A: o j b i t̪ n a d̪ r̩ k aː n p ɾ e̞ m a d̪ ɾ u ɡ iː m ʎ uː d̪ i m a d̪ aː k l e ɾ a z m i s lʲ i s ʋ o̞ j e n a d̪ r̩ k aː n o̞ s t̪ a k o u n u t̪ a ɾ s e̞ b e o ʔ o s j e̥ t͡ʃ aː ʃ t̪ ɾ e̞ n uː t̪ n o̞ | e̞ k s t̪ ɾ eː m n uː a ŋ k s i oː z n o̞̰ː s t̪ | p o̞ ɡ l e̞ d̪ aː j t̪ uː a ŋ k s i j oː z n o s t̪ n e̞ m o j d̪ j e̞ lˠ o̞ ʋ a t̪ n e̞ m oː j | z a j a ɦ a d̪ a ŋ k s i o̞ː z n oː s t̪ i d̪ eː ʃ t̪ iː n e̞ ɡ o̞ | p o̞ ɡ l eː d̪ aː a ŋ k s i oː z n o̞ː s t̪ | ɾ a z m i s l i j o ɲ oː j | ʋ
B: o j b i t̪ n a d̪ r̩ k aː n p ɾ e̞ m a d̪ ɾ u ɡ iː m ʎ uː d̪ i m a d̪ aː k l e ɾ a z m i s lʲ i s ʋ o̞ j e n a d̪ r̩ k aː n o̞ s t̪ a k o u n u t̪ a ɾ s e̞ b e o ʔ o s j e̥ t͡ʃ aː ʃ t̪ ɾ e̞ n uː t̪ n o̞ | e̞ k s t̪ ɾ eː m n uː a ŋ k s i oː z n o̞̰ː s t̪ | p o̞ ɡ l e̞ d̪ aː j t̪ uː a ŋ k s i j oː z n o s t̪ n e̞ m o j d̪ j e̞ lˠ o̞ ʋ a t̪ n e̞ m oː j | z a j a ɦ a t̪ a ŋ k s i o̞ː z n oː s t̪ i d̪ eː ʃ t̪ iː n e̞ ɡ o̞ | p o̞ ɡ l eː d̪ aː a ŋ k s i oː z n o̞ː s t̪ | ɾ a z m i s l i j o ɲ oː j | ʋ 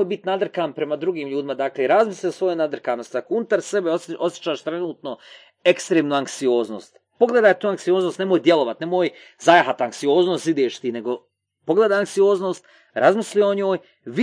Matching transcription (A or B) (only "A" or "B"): B